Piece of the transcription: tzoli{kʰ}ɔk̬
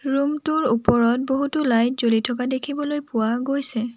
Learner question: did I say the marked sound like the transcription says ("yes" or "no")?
no